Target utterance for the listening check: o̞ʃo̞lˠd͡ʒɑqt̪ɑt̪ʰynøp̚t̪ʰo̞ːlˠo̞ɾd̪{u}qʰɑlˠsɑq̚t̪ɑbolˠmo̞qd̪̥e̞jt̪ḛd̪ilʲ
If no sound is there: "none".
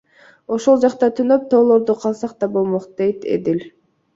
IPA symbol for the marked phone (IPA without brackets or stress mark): u